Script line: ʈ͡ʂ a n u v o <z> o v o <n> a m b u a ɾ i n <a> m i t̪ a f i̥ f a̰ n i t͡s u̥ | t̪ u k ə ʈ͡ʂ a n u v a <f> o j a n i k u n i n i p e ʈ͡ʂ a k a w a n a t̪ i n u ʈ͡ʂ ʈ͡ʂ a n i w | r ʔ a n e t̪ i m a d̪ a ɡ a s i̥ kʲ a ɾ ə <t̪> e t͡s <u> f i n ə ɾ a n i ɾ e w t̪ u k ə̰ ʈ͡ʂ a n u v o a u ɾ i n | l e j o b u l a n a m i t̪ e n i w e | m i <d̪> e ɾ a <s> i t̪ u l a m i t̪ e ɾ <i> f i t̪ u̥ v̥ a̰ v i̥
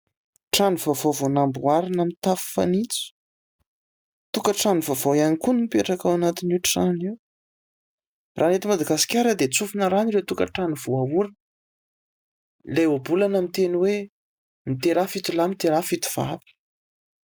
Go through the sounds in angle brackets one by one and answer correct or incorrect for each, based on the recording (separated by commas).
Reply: incorrect, correct, correct, incorrect, incorrect, correct, incorrect, incorrect, incorrect